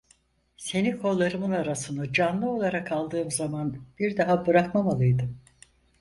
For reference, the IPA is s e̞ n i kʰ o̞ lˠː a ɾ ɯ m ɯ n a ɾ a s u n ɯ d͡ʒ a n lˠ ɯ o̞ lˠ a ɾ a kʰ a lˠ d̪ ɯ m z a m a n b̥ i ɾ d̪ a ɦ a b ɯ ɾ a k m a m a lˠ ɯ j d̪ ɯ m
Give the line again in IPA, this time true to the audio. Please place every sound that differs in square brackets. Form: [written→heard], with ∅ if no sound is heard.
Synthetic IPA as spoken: s e̞ n i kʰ o̞ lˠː a ɾ ɯ m ɯ n a ɾ a s [u→ɯ] n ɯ d͡ʒ a n lˠ ɯ o̞ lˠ a ɾ a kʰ a lˠ d̪ [ɯ→ɯː] m z a m a n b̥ i ɾ d̪ a ɦ a b ɯ ɾ a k m a m a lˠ ɯ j d̪ ɯ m